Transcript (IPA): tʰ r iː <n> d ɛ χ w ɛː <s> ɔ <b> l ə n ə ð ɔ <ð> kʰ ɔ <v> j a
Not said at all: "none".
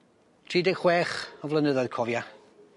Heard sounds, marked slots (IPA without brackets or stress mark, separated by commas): none, χ, v, ð, v